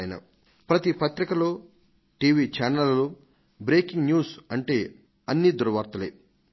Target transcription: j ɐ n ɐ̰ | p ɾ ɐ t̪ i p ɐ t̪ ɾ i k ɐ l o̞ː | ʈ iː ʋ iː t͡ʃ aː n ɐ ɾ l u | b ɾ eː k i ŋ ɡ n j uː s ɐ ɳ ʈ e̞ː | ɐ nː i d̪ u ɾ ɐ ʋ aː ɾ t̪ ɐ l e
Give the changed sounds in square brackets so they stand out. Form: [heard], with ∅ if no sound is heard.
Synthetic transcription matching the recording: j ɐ n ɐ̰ | p ɾ ɐ t̪ i p ɐ t̪ ɾ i k ɐ l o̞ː | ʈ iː ʋ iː t͡ʃ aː n ɐ [l] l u | b ɾ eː k i ŋ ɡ n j uː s ɐ ɳ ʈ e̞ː | ɐ nː i d̪ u ɾ ɐ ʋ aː ɾ t̪ ɐ l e